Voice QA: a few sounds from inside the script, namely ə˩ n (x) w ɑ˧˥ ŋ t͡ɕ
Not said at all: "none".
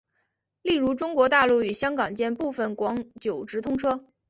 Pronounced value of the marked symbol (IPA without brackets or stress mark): k